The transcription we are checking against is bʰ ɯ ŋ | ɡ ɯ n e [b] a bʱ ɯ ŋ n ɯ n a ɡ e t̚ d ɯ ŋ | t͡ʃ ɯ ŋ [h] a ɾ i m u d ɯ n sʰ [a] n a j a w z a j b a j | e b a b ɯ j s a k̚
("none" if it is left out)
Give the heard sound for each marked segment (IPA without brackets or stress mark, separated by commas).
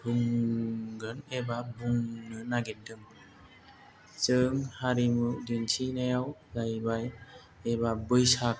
b, h, i